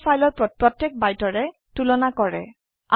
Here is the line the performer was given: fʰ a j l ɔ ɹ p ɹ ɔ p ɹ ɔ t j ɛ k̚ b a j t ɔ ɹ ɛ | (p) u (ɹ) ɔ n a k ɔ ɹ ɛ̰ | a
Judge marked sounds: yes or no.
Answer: no, no

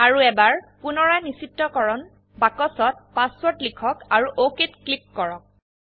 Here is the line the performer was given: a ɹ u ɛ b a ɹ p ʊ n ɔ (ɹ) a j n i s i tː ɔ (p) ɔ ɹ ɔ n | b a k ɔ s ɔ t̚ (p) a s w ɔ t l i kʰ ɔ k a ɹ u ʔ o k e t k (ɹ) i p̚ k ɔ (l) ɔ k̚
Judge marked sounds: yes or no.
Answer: yes, no, yes, no, no

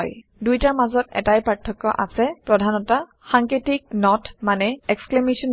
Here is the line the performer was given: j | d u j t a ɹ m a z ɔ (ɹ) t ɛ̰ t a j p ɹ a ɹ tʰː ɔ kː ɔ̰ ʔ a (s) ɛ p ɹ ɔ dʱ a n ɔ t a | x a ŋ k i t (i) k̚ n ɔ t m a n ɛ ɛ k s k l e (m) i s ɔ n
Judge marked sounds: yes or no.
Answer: no, yes, yes, yes

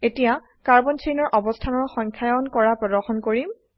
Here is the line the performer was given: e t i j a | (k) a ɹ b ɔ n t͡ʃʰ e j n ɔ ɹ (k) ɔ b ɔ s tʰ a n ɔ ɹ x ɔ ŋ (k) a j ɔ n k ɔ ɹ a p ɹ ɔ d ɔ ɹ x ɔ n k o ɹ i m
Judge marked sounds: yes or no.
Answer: yes, no, no

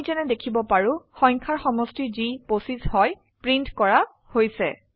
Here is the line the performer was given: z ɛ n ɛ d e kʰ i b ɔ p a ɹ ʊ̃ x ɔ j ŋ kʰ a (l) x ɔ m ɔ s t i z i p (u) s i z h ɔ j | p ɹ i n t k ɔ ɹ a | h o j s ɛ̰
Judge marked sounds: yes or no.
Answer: no, no

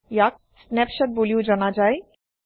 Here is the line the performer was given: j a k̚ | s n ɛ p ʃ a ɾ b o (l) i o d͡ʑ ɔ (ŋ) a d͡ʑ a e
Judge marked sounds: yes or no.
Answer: yes, no

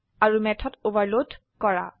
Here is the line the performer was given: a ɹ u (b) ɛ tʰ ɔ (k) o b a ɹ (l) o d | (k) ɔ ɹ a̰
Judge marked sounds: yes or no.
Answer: no, no, yes, yes

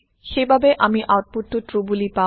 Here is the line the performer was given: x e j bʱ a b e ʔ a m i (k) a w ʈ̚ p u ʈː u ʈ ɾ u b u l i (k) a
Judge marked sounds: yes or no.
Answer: no, no

